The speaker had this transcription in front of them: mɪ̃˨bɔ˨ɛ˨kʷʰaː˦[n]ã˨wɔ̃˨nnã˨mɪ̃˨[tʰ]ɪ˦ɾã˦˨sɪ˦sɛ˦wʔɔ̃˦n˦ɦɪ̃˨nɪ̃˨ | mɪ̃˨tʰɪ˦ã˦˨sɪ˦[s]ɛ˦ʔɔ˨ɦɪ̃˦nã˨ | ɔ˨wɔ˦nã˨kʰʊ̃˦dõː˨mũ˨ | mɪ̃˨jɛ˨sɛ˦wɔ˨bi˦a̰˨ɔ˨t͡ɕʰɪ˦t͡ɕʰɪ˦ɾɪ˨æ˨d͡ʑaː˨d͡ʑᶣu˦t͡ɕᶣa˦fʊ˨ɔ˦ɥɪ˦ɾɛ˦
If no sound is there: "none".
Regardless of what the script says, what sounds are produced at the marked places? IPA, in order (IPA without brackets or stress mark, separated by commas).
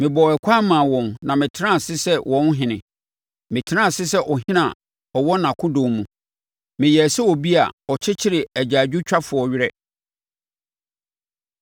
m, tʰ, s